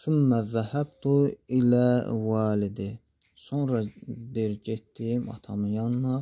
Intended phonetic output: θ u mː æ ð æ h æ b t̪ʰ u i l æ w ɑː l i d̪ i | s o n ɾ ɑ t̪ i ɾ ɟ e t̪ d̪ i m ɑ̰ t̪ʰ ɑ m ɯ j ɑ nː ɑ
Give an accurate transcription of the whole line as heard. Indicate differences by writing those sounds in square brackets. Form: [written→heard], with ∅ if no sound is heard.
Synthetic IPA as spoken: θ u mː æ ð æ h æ b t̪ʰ u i l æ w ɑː l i d̪ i | s o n ɾ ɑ [t̪→d̪] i ɾ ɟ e t̪ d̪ i m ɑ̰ t̪ʰ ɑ m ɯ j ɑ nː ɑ